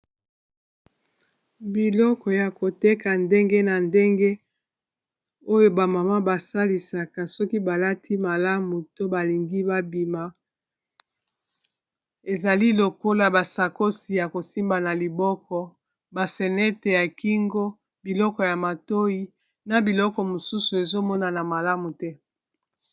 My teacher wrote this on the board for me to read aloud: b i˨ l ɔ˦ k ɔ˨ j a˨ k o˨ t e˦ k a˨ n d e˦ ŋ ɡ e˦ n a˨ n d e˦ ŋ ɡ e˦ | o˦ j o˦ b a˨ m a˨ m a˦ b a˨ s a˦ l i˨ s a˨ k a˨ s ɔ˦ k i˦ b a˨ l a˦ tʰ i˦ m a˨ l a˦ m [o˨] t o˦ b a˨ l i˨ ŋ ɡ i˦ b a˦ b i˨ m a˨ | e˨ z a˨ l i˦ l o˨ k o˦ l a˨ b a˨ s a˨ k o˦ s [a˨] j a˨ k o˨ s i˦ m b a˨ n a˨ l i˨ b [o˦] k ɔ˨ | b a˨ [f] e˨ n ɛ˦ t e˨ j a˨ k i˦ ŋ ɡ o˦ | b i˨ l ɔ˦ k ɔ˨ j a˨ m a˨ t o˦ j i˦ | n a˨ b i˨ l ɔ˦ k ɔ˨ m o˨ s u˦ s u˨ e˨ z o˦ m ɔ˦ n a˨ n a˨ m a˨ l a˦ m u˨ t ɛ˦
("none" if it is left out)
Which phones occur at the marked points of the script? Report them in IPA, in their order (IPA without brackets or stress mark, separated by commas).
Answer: u˨, i˨, ɔ˦, s